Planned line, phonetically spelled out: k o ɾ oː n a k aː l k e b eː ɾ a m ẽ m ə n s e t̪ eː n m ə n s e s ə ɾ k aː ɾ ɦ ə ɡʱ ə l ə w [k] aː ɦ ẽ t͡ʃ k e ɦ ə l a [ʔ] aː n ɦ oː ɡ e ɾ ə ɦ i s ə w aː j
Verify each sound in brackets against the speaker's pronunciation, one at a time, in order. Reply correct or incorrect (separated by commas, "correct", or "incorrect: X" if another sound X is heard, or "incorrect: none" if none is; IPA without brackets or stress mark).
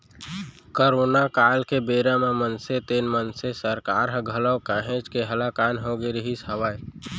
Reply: correct, incorrect: k